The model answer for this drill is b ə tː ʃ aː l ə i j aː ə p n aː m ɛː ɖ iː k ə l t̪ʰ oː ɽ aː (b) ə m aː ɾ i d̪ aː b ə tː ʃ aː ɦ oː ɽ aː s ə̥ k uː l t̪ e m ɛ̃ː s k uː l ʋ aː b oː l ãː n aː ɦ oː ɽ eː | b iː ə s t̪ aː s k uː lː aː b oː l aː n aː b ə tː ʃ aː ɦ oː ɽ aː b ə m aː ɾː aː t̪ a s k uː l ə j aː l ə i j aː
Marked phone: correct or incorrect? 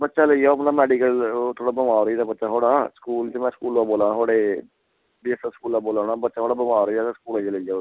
correct